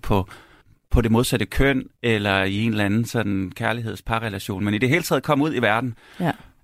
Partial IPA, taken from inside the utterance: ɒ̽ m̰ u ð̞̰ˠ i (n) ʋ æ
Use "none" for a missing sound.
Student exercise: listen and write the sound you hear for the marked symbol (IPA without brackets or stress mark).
none